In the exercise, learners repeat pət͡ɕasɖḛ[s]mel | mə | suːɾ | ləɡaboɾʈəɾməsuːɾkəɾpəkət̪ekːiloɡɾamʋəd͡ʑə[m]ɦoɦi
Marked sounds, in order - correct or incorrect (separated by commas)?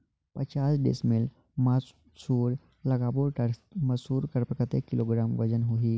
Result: correct, incorrect